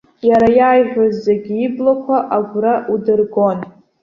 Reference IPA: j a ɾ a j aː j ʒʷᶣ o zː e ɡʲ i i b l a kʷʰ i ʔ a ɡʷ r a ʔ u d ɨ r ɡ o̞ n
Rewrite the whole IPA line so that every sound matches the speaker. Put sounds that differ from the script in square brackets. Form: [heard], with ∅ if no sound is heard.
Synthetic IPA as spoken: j a ɾ a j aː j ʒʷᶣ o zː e ɡʲ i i b l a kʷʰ [a] ʔ a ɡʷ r a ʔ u d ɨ r ɡ o̞ n